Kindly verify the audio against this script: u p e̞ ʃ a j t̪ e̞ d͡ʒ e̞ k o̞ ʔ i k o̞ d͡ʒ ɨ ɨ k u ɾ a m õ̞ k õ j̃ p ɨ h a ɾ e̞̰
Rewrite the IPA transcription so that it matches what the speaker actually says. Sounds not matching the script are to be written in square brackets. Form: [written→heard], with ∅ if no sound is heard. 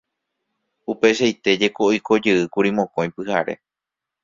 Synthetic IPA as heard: u p e̞ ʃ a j t̪ e̞ d͡ʒ e̞ k o̞ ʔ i k o̞ d͡ʒ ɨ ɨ k u ɾ [a→i] m õ̞ k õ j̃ p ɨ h a ɾ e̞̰